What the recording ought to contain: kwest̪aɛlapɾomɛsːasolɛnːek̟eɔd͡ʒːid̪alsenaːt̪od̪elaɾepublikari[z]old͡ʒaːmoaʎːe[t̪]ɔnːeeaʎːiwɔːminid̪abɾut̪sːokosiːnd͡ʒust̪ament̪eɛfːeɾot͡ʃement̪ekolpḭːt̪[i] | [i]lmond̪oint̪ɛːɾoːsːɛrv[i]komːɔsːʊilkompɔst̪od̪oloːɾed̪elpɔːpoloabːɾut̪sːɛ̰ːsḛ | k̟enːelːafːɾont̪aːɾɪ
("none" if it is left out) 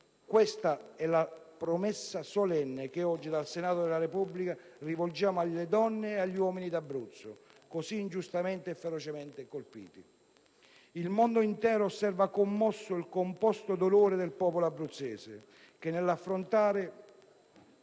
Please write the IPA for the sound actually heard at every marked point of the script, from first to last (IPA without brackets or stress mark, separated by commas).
v, d̪, i, i, a